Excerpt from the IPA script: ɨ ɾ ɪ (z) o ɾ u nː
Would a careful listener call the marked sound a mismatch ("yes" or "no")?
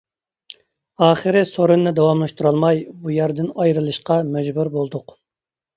yes